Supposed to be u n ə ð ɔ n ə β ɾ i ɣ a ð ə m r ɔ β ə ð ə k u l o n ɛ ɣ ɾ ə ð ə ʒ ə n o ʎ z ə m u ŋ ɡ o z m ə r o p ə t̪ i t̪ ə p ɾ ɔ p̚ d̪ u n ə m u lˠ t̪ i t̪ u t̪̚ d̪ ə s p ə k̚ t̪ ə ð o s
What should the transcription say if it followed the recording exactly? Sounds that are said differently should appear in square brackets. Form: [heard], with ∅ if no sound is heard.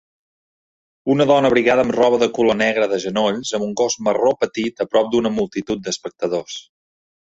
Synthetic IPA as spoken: u n ə ð ɔ n ə β ɾ i ɣ a ð ə m r ɔ β ə ð ə k u l o n ɛ ɣ ɾ ə ð ə ʒ ə n o ʎ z ə m u ŋ ɡ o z m ə r o p ə t̪ i t̪ ə p ɾ ɔ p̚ d̪ u n ə m u lˠ t̪ i t̪ u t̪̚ d̪ ə s p ə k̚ t̪ ə ð o s